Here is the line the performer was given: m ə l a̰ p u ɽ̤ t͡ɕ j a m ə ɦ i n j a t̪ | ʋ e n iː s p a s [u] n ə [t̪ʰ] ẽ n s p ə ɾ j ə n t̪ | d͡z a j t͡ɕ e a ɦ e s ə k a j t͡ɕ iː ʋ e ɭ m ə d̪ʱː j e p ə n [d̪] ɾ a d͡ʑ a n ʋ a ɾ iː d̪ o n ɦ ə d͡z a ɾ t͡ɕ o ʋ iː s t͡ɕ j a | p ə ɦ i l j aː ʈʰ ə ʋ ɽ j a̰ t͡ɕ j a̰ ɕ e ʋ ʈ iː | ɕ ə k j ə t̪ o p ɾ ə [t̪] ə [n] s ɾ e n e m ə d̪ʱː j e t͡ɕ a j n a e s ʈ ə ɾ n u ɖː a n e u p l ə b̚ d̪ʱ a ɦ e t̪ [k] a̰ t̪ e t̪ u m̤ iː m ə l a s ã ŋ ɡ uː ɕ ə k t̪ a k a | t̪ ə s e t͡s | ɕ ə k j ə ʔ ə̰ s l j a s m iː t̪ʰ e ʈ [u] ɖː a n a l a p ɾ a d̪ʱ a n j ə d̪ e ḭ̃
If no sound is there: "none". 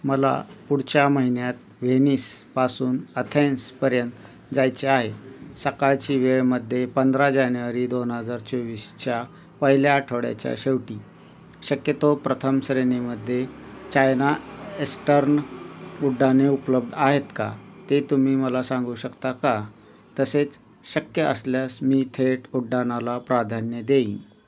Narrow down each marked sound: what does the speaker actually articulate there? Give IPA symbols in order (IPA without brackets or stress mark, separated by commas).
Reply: uː, t̪ʰ, d̪, t̪ʰ, m, k, u